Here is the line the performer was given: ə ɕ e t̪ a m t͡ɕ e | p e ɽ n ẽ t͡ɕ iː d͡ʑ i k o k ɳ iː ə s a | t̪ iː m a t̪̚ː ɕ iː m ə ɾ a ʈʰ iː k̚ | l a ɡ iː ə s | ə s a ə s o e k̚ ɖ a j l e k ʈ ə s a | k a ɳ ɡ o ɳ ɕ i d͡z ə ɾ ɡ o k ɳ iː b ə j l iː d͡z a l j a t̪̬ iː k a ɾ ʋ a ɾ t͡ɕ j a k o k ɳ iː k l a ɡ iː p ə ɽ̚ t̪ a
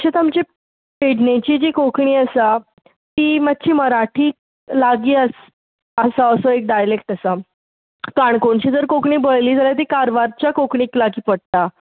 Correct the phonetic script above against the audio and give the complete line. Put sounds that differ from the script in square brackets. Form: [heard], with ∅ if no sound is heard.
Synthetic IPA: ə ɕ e t̪ a m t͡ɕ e | p e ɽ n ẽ t͡ɕ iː d͡ʑ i k o k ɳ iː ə s a | t̪ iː m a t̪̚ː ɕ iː m ə ɾ a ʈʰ iː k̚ | l a ɡ iː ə s | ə s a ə s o e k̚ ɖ a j l e k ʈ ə s a | k a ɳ [k] o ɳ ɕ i d͡z ə ɾ [k] o k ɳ iː b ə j l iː d͡z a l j a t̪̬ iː k a ɾ ʋ a ɾ t͡ɕ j a k o k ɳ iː k l a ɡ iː p ə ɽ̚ t̪ a

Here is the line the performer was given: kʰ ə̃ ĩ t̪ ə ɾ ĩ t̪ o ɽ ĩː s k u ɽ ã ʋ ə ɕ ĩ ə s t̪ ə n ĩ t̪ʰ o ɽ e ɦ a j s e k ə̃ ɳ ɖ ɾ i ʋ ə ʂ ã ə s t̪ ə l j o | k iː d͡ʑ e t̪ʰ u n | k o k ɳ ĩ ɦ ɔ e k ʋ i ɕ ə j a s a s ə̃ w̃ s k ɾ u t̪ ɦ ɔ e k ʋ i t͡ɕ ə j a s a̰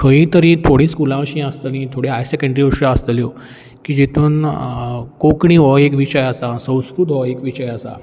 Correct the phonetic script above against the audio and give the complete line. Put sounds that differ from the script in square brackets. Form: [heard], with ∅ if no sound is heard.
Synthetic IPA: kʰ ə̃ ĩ t̪ ə ɾ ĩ [t̪ʰ] o ɽ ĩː s k u [l] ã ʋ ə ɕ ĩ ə s t̪ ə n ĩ t̪ʰ o ɽ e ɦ a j s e k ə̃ ɳ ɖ ɾ i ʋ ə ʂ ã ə s t̪ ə l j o | k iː d͡ʑ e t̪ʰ [uː] n | k o k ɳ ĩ ɦ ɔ e k ʋ i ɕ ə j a s a s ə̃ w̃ s k ɾ u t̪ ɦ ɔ e k ʋ i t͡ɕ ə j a s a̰

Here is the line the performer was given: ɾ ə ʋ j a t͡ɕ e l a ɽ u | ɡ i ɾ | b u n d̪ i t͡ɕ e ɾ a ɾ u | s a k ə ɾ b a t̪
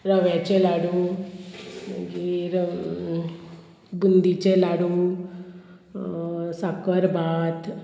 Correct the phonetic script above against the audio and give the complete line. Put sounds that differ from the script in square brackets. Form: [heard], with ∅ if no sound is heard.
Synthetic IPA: ɾ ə ʋ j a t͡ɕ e l a ɽ u | ɡ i ɾ | b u n d̪ i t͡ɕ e [l] a [ɽ] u | s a k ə ɾ b a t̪

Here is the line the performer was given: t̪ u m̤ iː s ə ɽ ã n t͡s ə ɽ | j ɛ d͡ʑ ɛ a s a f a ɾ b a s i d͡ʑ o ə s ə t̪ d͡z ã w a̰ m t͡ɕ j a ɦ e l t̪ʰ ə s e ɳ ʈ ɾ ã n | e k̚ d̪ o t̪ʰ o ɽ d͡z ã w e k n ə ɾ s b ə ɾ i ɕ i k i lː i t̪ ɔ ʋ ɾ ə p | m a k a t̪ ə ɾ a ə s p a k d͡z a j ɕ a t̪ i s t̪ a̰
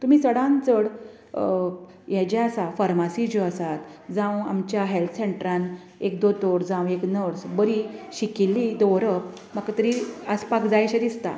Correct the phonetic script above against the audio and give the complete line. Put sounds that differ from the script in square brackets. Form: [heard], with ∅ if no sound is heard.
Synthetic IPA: t̪ u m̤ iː s ə ɽ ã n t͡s ə ɽ | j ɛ d͡ʑ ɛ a s a f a ɾ [m] a s i d͡ʑ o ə s [a] t̪ d͡z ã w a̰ m t͡ɕ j a ɦ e l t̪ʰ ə s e ɳ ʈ ɾ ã n | e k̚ d̪ o [t̪] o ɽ d͡z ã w e k n ə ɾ s b ə ɾ i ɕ i k i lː i [d̪] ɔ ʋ ɾ ə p | m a k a t̪ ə ɾ [i] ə s p a k d͡z a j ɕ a [d̪] i s t̪ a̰

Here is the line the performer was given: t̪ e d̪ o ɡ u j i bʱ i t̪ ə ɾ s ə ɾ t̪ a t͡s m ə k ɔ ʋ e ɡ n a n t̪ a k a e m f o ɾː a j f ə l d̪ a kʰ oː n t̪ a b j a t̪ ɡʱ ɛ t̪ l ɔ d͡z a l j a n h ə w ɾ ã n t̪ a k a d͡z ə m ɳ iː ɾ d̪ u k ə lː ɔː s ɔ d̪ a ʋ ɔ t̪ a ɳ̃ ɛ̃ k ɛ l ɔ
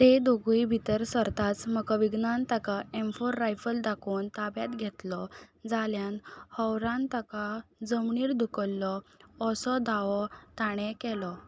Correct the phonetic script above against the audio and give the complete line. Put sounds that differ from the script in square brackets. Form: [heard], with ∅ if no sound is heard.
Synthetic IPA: t̪ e d̪ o ɡ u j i bʱ i t̪ ə ɾ s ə ɾ t̪ a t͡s m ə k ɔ ʋ [i] ɡ n a n t̪ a k a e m f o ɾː a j f ə l d̪ a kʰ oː n t̪ a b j a t̪ ɡʱ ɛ t̪ l ɔ d͡z a l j a n h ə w ɾ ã n t̪ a k a d͡z ə m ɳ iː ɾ d̪ u k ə lː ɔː s ɔ d̪ a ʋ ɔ t̪ a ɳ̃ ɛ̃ k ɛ l ɔ

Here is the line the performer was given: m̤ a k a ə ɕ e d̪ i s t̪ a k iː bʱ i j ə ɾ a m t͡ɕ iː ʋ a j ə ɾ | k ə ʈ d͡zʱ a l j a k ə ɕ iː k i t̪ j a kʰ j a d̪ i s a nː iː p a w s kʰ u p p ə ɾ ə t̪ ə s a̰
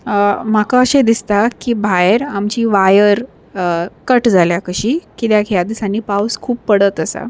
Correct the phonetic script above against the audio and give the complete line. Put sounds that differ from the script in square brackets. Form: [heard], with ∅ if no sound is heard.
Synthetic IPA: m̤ a k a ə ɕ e d̪ i s t̪ a k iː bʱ [a] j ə ɾ a m t͡ɕ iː ʋ a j ə ɾ | k ə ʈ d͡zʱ a l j a k ə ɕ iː k i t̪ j a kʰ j a d̪ i s a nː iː p a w s kʰ [uː] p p ə [ɽ] ə t̪ ə s a̰

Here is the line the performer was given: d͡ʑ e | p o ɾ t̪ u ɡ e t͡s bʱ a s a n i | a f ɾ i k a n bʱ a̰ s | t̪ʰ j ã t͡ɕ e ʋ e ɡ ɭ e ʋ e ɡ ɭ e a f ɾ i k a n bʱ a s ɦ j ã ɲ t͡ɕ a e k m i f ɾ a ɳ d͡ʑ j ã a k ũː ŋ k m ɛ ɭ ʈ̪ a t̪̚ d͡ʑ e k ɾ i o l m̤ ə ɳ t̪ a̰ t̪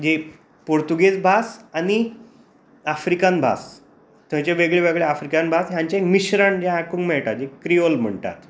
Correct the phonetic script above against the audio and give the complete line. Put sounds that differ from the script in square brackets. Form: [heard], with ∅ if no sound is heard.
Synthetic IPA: d͡ʑ e | p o ɾ t̪ u ɡ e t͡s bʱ a s a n i | a f ɾ i k a n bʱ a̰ s | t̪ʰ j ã t͡ɕ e ʋ e ɡ ɭ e ʋ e ɡ ɭ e a f ɾ i k a n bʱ a s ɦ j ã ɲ t͡ɕ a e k m i [ɕ] ɾ a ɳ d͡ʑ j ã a k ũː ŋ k m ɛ ɭ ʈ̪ a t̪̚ d͡ʑ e k ɾ i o l m̤ ə ɳ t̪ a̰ t̪

